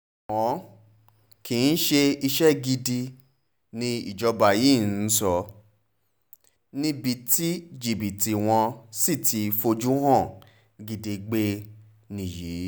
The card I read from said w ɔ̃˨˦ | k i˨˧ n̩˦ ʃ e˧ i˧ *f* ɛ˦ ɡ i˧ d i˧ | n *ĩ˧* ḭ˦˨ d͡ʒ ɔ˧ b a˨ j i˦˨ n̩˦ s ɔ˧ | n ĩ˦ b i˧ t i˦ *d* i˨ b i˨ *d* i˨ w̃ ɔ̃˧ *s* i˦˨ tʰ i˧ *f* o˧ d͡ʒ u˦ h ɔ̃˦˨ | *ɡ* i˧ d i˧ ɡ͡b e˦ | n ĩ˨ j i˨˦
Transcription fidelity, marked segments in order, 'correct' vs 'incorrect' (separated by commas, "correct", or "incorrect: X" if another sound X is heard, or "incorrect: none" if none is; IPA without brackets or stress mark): incorrect: ʃ, correct, incorrect: d͡ʒ, incorrect: t, correct, correct, correct